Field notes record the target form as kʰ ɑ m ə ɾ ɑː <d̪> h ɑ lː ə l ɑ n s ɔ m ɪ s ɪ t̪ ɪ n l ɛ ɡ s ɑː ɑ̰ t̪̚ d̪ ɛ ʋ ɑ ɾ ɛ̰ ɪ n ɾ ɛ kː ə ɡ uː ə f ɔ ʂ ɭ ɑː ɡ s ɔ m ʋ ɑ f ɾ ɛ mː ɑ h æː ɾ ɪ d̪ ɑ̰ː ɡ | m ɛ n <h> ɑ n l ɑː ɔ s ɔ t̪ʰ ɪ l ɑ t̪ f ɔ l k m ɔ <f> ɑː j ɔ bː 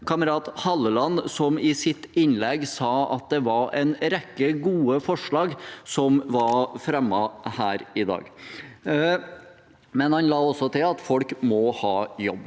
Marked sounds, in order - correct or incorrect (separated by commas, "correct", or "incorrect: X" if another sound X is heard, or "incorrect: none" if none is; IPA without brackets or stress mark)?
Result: incorrect: t̪, correct, incorrect: h